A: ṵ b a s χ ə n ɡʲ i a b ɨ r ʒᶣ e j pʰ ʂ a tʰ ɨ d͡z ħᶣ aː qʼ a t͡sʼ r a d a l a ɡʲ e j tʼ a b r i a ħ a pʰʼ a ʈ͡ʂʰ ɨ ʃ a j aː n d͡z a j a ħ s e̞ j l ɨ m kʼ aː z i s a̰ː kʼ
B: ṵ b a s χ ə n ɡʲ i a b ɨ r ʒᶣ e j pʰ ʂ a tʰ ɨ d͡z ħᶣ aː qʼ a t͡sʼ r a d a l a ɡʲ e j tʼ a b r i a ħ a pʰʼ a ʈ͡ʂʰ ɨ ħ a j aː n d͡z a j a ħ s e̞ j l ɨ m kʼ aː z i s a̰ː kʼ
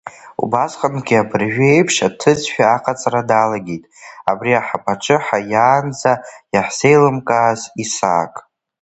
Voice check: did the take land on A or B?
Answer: B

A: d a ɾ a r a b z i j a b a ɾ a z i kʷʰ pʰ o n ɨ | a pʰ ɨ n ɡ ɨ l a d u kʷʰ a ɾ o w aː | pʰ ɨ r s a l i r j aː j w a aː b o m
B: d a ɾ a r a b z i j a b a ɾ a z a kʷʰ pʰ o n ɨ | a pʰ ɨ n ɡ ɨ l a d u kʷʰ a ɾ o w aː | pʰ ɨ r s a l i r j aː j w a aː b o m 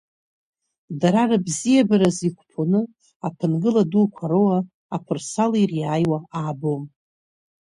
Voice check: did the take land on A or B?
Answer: A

